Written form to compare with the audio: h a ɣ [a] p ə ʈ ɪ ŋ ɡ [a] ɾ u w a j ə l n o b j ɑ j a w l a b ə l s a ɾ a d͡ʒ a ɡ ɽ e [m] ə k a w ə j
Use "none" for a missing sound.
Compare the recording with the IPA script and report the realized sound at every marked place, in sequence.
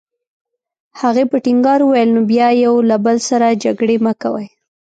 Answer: e, ɑ, m

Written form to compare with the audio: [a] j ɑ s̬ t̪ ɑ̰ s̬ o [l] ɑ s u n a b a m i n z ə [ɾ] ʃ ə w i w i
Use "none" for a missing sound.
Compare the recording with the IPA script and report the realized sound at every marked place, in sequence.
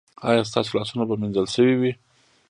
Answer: ɑ, l, l

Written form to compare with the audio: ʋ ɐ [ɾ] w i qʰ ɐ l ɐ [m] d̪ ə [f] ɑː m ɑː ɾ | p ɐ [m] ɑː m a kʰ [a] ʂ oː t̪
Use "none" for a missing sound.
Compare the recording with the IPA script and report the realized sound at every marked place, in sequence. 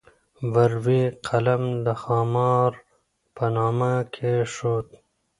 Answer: ɾ, m, x, n, e

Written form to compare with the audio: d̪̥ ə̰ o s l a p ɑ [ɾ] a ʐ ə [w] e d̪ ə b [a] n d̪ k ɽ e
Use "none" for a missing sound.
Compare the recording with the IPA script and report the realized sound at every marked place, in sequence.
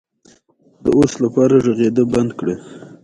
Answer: ɾ, ɣ, a

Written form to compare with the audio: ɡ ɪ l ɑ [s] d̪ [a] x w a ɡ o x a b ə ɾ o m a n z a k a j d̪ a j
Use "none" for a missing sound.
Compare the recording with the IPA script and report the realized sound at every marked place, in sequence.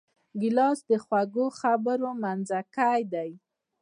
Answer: s, ə

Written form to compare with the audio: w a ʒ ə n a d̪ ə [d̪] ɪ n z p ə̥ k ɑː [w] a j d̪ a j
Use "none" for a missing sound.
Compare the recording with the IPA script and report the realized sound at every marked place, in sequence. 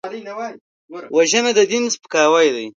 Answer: d̪, w

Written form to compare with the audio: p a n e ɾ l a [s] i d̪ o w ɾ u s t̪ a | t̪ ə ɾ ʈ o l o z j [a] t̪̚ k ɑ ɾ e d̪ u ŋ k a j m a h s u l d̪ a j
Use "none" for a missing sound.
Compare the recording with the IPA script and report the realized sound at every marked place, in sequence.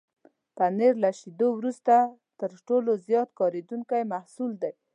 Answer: ʃ, ɑ

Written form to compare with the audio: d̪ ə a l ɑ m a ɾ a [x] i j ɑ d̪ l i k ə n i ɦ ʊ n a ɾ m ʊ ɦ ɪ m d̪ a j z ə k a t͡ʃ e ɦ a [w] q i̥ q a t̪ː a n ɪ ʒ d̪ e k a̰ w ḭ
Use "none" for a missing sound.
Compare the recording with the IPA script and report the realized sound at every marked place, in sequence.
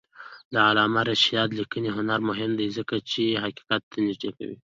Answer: ʃ, none

